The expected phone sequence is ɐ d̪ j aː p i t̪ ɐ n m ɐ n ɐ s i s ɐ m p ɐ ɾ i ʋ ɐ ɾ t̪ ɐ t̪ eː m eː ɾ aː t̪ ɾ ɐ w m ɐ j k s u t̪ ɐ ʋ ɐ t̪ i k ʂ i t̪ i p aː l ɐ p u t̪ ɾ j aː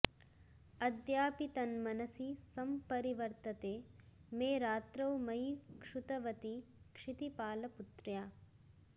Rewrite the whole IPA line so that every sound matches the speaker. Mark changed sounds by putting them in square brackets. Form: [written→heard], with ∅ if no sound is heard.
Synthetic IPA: ɐ d̪ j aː p i t̪ ɐ n m ɐ n ɐ s i s ɐ m p ɐ ɾ i ʋ ɐ ɾ t̪ ɐ t̪ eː m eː ɾ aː t̪ ɾ ɐ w m ɐ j k [s→ʂ] u t̪ ɐ ʋ ɐ t̪ i k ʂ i t̪ i p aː l ɐ p u t̪ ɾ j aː